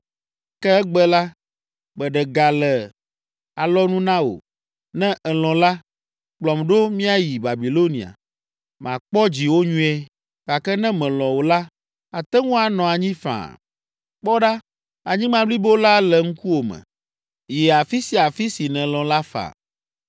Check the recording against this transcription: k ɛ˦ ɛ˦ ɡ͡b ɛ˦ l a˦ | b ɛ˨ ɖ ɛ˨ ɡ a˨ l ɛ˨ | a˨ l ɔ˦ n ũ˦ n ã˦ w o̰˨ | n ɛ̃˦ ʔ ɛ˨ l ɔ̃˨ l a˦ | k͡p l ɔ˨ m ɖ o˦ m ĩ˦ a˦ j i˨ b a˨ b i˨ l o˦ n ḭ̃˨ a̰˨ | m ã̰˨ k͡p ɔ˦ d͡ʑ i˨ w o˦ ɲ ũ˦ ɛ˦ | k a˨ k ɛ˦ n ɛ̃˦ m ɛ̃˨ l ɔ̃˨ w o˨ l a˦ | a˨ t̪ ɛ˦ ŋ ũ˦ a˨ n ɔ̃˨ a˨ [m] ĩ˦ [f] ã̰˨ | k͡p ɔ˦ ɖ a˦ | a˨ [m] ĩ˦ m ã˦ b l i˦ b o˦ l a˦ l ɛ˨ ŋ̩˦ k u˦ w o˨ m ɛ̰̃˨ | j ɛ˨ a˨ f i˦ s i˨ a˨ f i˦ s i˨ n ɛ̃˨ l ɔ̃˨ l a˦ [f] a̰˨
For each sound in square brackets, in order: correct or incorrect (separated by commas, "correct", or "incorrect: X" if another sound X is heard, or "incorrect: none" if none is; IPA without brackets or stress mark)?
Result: incorrect: ɲ, correct, incorrect: ɲ, correct